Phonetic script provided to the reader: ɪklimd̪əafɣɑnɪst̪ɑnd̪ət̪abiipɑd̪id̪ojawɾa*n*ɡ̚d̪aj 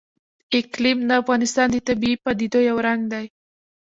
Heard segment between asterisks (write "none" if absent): ŋ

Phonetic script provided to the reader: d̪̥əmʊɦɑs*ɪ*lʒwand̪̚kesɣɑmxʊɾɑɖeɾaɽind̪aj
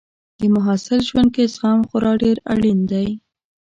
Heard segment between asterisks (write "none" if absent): ɪ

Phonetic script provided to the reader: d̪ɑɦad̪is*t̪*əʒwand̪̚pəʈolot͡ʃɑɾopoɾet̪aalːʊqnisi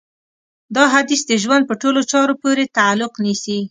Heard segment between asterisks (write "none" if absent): d̪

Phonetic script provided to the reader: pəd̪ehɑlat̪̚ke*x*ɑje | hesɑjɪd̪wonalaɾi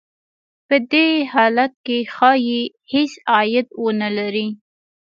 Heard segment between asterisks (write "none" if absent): x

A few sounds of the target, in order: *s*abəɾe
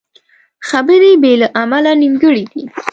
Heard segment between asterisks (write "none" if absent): x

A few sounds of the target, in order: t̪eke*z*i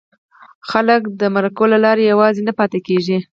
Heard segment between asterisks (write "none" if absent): ʒ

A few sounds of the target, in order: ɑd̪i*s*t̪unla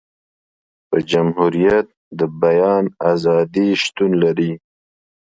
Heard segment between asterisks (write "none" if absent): ʃ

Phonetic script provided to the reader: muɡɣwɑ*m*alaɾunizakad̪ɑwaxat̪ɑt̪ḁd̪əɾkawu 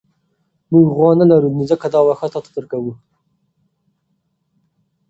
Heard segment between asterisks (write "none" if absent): n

